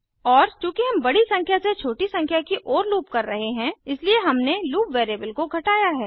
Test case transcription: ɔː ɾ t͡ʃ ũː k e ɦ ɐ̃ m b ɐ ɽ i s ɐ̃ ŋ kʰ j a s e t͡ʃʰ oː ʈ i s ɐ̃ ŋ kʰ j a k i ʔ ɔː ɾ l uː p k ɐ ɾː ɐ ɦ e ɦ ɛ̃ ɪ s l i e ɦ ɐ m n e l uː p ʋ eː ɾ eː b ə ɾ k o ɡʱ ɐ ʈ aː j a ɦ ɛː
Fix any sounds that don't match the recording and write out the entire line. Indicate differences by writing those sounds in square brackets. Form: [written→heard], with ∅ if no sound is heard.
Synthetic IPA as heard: ɔː ɾ t͡ʃ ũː k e ɦ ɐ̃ m b ɐ ɽ i s ɐ̃ ŋ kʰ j a s e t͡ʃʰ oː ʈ i s ɐ̃ ŋ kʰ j a k i ʔ ɔː ɾ l uː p k ɐ ɾː ɐ ɦ e ɦ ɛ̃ ɪ s l i e ɦ ɐ m n e l uː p ʋ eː ɾ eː b ə [ɾ→l] k o ɡʱ ɐ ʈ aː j a ɦ ɛː

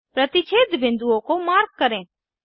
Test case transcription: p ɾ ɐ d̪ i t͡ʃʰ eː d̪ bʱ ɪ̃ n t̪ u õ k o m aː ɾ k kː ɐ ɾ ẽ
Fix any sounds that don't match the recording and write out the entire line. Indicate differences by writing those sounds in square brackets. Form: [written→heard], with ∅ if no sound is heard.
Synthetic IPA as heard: p ɾ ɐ [d̪→t̪] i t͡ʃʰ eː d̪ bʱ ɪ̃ n [t̪→d̪] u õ k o m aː ɾ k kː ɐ ɾ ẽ

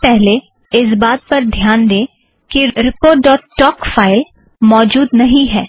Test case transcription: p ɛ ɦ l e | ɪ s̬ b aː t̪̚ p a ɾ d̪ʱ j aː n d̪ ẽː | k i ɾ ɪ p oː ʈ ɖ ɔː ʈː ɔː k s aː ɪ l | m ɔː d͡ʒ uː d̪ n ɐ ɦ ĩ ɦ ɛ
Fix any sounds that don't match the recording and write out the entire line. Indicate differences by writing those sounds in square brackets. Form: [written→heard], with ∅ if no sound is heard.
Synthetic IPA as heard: p ɛ ɦ l e | ɪ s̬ b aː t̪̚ p [a→ɐ] ɾ d̪ʱ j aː n d̪ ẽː | k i ɾ ɪ p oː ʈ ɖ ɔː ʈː ɔː k [s→f] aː ɪ l | m ɔː d͡ʒ uː d̪ n ɐ ɦ ĩ ɦ [ɛ→ɛː]

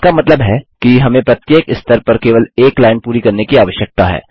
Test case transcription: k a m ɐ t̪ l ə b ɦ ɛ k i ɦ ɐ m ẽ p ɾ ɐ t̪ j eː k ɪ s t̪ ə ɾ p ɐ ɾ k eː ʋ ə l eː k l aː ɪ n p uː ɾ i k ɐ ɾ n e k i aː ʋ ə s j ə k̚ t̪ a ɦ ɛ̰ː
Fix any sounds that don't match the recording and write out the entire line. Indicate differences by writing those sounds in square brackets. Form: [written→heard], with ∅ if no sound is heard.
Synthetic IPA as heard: k a m ɐ t̪ l ə b ɦ ɛ k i ɦ ɐ m ẽ p ɾ ɐ t̪ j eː k ɪ s t̪ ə ɾ p ɐ ɾ k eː ʋ ə l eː k l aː ɪ n p uː ɾ i k ɐ ɾ n e k i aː ʋ ə [s→ʃ] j ə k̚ t̪ a ɦ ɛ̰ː

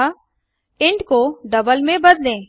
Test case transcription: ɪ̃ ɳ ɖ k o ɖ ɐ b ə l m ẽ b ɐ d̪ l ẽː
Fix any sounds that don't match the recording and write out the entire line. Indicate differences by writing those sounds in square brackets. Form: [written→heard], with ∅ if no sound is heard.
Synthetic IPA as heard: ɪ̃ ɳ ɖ k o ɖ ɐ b ə l m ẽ b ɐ d̪ l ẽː

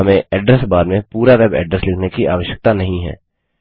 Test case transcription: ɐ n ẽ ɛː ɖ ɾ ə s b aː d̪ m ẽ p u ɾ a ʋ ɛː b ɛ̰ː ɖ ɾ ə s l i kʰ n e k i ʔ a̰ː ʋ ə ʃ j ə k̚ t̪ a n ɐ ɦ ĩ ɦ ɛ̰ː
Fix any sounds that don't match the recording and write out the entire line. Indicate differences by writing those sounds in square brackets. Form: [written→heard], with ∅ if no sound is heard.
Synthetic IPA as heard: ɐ [n→m] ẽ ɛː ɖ ɾ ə s b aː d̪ m ẽ p [u→uː] ɾ a ʋ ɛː b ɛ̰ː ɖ ɾ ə s l [i→ɪ] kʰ n e k i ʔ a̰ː ʋ ə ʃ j ə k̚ t̪ a n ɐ ɦ ĩ ɦ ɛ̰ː

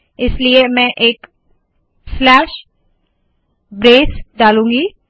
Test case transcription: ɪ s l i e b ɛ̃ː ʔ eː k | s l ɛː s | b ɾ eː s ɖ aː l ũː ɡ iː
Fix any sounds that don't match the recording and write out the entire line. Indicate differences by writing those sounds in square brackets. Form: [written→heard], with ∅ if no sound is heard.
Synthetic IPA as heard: ɪ s l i e [b→m] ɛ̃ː ʔ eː k | s l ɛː [s→ʃ] | b ɾ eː s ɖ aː l ũː ɡ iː

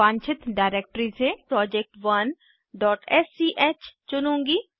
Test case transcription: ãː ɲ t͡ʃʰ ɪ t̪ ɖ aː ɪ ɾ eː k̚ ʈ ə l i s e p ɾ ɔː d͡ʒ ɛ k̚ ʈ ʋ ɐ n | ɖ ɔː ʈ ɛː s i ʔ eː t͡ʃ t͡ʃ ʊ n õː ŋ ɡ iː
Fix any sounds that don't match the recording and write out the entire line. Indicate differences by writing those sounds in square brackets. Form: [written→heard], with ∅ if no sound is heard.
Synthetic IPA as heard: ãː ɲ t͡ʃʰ ɪ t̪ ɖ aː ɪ ɾ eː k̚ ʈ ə [l→ɾ] i s e p ɾ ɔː d͡ʒ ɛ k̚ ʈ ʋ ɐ n | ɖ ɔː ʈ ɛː s i ʔ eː t͡ʃ t͡ʃ ʊ n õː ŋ ɡ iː

